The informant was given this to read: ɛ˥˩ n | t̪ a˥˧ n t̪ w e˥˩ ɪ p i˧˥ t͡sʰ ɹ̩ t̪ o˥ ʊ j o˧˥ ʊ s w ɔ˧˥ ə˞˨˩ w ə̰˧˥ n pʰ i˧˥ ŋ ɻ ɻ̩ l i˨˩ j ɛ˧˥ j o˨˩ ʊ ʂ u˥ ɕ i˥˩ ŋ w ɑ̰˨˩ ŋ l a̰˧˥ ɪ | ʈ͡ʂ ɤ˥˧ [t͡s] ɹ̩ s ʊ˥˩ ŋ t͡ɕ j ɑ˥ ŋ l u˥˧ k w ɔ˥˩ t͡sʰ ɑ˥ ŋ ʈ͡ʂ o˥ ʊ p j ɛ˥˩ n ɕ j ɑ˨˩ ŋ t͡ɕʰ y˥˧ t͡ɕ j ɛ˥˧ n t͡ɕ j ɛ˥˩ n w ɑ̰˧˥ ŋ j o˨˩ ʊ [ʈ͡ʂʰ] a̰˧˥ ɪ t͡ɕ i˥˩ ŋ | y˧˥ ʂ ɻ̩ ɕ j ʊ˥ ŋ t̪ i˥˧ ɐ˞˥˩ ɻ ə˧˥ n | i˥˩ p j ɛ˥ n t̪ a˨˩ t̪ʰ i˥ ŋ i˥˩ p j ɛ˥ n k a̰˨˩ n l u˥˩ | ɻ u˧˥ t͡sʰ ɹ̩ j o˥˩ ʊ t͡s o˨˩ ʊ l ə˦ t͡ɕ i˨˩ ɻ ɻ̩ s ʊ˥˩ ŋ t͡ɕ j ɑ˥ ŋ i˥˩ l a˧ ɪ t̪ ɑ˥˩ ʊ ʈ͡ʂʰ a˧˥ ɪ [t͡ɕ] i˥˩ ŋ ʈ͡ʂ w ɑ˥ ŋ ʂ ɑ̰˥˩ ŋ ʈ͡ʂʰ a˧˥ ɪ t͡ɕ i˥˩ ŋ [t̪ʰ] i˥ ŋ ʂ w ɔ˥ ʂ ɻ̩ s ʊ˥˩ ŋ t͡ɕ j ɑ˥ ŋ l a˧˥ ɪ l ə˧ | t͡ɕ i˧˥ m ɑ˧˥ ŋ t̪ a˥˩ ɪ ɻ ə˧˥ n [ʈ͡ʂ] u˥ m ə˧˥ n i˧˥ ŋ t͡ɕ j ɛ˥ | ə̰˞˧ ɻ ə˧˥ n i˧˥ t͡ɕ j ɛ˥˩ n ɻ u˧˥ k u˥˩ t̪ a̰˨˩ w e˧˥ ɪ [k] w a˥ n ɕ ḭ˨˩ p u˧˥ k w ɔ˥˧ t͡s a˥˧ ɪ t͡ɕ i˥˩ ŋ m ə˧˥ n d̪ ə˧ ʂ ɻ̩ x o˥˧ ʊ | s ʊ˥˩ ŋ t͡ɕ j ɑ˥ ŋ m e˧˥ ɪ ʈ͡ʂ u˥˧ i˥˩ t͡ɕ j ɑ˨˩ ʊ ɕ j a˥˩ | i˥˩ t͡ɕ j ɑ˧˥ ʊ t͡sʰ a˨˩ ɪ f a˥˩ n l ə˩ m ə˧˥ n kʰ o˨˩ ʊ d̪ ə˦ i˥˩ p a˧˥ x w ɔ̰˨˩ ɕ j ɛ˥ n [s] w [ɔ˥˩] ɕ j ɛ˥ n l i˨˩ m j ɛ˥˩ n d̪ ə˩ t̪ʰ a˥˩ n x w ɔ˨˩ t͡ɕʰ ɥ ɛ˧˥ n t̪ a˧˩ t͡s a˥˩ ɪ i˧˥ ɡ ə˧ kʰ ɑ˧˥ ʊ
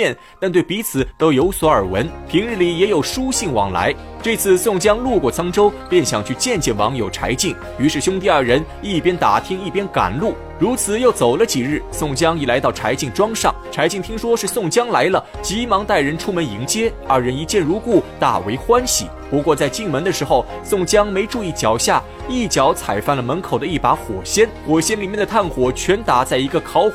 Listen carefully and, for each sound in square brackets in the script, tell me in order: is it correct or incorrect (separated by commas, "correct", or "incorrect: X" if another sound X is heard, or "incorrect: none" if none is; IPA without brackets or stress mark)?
incorrect: t͡sʰ, correct, correct, correct, incorrect: ʈ͡ʂʰ, incorrect: x, incorrect: x, incorrect: ɔ˨˩